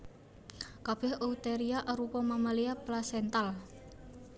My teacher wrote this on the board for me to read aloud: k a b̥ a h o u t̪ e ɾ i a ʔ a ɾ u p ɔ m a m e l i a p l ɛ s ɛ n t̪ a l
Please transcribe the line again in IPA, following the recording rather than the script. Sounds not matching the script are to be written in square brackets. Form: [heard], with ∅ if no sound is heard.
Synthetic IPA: k a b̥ [ɛ] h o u t̪ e ɾ i a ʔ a ɾ u p ɔ m a m [a] l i a p l [a] s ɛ n t̪ a l